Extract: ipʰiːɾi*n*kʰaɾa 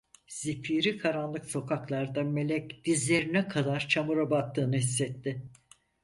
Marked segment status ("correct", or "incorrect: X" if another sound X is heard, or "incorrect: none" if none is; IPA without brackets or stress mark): incorrect: none